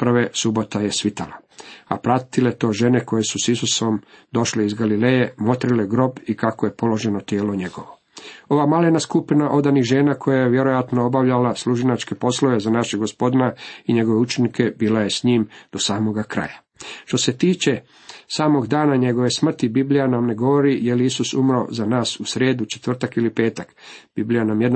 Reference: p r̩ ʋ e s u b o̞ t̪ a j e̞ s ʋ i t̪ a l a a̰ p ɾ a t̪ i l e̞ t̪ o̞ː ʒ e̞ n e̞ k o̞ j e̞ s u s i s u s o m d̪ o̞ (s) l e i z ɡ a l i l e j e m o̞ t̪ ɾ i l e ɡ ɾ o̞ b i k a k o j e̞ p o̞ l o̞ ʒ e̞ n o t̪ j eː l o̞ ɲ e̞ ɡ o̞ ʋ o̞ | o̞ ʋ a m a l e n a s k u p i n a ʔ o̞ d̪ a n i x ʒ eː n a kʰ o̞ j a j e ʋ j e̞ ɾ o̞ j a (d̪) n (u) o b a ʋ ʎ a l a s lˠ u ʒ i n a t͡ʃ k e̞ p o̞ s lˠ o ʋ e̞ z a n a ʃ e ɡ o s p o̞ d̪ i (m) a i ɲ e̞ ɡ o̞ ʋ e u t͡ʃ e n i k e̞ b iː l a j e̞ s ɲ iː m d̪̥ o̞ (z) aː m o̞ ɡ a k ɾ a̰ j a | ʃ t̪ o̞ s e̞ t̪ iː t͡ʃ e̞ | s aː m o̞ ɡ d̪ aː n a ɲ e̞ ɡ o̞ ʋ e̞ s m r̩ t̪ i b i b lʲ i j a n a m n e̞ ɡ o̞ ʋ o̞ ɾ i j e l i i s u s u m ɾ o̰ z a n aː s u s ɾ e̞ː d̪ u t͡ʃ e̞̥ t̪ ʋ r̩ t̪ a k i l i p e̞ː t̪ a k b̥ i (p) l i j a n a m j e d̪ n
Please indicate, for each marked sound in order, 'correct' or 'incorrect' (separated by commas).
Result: incorrect, incorrect, incorrect, incorrect, incorrect, incorrect